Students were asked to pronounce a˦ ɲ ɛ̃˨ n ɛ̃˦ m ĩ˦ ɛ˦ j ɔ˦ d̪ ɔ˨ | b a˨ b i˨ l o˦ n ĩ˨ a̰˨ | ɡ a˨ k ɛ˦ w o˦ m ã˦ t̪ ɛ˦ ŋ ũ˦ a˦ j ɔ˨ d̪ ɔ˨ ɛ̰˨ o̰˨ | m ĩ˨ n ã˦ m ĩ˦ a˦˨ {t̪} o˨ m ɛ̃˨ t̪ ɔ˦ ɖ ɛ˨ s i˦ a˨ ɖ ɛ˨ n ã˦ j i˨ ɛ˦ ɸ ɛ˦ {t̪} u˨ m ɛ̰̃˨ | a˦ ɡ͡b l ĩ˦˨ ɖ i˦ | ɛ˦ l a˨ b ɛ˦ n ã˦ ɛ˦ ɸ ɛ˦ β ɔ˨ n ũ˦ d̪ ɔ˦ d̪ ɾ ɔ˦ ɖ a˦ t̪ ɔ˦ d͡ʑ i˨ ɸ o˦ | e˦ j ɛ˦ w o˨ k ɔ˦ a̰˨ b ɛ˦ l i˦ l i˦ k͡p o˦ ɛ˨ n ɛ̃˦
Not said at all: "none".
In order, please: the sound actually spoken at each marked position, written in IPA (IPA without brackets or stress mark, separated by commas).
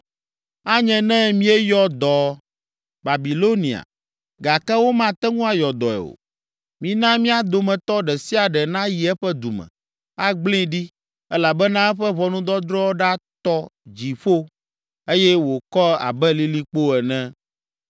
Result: d̪, d̪